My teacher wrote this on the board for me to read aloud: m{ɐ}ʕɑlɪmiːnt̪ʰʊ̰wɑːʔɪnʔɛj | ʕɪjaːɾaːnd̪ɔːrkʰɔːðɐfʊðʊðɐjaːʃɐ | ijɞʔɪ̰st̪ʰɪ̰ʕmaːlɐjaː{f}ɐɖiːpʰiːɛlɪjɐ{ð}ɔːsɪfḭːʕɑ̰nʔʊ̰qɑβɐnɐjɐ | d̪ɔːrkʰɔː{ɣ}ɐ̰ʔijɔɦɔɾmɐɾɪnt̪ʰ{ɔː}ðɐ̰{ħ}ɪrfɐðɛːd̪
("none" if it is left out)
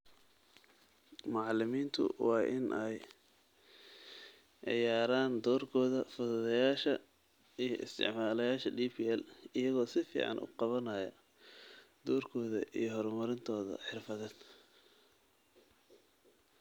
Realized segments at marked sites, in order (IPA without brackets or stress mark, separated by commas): ɑ, ʃ, ɣ, ð, ɔː, ħ